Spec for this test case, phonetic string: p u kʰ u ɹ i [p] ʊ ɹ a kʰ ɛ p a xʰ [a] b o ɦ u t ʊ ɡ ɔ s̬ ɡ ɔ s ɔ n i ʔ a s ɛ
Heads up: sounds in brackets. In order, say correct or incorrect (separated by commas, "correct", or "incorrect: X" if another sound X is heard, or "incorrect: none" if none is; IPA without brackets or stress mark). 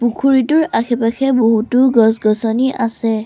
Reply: incorrect: t, incorrect: ɛ